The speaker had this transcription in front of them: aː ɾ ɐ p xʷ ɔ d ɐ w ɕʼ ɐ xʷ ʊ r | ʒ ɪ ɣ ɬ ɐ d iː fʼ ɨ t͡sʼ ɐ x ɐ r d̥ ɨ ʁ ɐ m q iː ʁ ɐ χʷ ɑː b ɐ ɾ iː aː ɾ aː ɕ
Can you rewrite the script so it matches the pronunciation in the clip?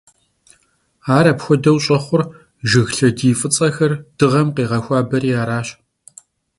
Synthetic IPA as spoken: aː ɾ ɐ p xʷ ɔ d ɐ w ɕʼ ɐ χʷ ʊ r | ʒ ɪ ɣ ɬ ɐ d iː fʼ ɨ t͡sʼ ɐ x ɐ r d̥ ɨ ʁ ɐ m q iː ʁ ɐ xʷ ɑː b ɐ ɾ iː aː ɾ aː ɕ

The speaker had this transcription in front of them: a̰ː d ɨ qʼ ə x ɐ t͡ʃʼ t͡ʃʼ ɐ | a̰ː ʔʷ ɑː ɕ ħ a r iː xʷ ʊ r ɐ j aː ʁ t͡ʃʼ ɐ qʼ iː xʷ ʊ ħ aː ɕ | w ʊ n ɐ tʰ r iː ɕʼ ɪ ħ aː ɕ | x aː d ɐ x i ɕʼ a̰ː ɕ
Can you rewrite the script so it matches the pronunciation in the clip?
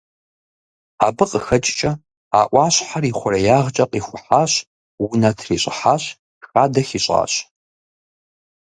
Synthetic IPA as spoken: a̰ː b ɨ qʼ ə x ɐ t͡ʃʼ t͡ʃʼ ɐ | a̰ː ʔʷ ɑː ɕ ħ a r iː χʷ ʊ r ɐ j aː ʁ t͡ʃʼ ɐ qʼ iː xʷ ʊ ħ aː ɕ | w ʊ n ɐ tʰ r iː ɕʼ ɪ ħ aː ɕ | x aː d ɐ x i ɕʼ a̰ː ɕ

